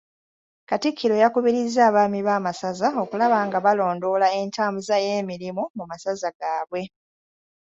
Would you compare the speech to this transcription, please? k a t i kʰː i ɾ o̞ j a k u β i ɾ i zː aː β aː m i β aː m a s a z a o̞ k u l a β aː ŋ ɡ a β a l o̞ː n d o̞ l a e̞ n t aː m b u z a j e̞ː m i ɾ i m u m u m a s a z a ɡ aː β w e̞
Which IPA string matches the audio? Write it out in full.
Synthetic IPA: k a t i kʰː i ɾ o̞ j a k u β i ɾ i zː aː β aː m i β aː m a s a z a o̞ k u l a β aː ŋ ɡ a β a l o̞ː n d o̞ l a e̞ n t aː m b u z a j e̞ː m i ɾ i m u m u m a s a z a ɡ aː β w e̞